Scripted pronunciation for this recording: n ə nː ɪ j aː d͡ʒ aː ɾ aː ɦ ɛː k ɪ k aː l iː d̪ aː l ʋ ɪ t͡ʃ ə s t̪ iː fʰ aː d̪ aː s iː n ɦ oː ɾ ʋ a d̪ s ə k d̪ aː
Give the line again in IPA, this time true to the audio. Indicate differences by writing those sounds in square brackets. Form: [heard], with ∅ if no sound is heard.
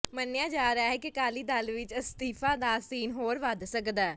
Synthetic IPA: [m] ə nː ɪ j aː d͡ʒ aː ɾ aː ɦ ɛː k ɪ k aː l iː d̪ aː l ʋ ɪ t͡ʃ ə s t̪ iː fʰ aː d̪ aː s iː n ɦ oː ɾ ʋ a d̪ s ə k d̪ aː